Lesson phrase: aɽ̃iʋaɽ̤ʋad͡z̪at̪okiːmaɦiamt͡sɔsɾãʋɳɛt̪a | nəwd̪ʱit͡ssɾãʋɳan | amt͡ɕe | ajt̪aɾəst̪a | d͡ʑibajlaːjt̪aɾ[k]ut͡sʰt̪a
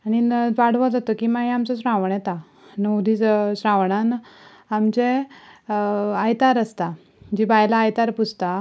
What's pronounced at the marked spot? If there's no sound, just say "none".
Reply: p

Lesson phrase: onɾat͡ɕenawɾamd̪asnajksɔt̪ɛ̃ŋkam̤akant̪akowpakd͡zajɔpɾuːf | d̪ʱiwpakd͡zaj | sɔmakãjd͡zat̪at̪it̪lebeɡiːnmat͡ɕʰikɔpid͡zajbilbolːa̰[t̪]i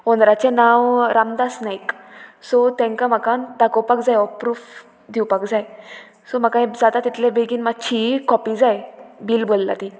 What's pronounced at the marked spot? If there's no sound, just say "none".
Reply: t̪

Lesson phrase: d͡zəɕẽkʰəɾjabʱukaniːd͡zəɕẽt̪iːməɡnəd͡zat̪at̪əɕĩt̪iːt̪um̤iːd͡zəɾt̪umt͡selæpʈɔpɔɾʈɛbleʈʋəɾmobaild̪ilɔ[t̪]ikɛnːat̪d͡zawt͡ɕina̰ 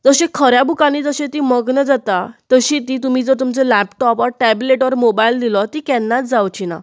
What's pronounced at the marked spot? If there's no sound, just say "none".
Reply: t̪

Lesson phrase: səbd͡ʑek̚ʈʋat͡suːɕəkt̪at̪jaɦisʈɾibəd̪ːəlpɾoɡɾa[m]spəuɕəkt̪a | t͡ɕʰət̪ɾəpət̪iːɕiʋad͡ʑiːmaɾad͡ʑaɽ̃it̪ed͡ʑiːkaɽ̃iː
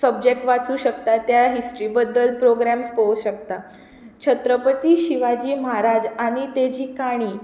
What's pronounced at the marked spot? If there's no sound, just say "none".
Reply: m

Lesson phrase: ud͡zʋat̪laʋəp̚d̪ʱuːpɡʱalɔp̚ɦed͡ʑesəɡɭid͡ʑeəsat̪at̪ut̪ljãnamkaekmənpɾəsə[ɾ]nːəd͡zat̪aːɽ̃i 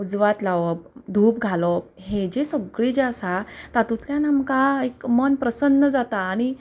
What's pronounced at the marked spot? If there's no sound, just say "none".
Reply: none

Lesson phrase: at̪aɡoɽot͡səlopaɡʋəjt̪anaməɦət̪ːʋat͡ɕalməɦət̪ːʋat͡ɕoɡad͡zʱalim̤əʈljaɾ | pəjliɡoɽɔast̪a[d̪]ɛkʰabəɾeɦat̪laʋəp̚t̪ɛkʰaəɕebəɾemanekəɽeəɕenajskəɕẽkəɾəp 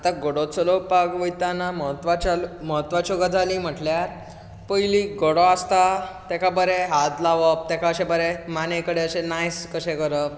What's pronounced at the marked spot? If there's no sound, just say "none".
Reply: t̪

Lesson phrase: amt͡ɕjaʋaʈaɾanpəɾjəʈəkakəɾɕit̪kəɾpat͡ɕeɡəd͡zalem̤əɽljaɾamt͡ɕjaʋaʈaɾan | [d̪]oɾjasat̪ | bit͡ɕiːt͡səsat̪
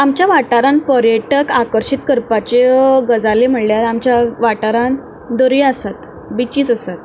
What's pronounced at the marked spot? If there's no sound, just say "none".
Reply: d̪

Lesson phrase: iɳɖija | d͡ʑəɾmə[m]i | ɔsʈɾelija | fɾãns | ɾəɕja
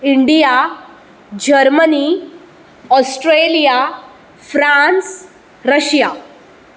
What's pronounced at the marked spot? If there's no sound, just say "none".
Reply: n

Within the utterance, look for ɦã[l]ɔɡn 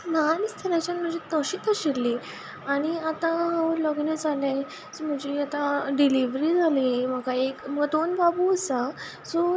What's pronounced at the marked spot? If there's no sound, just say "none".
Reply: l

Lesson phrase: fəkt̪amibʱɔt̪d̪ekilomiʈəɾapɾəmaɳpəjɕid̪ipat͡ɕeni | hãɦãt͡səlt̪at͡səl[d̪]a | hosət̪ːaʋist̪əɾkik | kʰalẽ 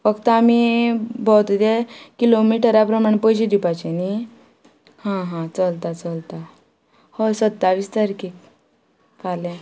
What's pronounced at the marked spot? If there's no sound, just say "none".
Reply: t̪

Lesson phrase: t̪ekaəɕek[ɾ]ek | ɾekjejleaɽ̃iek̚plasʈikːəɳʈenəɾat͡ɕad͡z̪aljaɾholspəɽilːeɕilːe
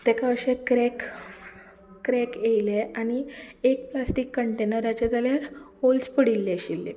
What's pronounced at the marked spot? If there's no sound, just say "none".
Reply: ɾ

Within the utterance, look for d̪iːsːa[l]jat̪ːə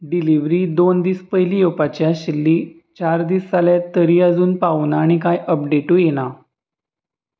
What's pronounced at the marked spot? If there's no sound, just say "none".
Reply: l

